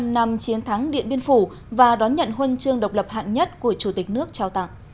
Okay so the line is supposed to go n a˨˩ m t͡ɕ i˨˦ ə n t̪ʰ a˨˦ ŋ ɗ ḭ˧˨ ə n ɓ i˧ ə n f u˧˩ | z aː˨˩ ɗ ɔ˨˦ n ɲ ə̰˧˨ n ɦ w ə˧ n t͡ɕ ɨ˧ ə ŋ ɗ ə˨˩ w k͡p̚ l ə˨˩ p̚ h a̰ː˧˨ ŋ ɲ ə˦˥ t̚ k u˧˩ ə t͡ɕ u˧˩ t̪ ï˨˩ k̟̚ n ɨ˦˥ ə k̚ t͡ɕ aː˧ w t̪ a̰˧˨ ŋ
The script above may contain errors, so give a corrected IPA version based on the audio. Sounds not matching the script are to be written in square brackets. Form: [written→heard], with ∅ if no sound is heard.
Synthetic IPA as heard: n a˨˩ m t͡ɕ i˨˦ ə n t̪ʰ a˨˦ ŋ ɗ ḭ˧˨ ə n ɓ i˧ ə n f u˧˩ | [z→v] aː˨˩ ɗ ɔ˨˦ n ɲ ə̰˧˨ n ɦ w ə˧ n t͡ɕ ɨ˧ ə ŋ ɗ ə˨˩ w k͡p̚ l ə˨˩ p̚ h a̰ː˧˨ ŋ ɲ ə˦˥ t̚ k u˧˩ ə t͡ɕ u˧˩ t̪ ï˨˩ k̟̚ n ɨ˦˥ ə k̚ t͡ɕ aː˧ w t̪ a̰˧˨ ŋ